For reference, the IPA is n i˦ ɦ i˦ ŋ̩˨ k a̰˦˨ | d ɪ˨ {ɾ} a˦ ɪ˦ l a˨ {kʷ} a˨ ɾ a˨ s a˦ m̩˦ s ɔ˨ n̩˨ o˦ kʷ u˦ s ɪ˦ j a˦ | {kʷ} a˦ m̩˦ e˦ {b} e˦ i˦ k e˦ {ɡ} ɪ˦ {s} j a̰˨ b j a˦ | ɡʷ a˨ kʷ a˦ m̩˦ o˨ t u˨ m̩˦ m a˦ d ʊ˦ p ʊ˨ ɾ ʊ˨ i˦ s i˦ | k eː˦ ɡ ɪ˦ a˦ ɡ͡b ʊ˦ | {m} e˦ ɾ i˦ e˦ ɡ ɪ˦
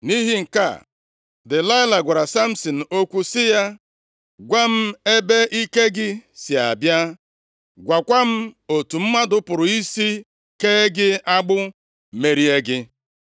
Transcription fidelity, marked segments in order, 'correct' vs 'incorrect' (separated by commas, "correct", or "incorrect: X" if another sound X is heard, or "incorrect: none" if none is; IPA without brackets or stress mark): incorrect: l, incorrect: ɡʷ, incorrect: ɡʷ, correct, correct, correct, correct